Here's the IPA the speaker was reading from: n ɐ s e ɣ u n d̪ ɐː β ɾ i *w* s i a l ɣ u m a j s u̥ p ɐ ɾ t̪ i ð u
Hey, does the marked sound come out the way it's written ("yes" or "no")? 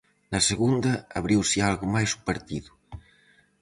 yes